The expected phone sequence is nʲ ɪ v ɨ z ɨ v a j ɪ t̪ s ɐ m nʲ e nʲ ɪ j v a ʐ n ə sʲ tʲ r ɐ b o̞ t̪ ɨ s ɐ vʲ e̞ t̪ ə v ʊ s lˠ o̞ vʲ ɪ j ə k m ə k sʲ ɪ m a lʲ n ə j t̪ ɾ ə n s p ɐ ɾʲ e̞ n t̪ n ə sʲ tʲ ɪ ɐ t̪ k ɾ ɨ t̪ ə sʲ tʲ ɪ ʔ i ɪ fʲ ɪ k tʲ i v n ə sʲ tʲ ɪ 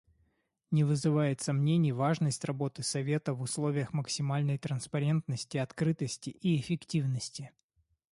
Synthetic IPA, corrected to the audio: nʲ ɪ v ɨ z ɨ v a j ɪ t̪ s ɐ m nʲ e nʲ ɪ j v a ʐ n ə sʲ tʲ r ɐ b o̞ t̪ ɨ s ɐ vʲ e̞ t̪ ə v ʊ s lˠ o̞ vʲ ɪ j ə x m ə k sʲ ɪ m a lʲ n ə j t̪ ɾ ə n s p ɐ ɾʲ e̞ n t̪ n ə sʲ tʲ ɪ ɐ t̪ k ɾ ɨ t̪ ə sʲ tʲ ɪ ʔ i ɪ fʲ ɪ k tʲ i v n ə sʲ tʲ ɪ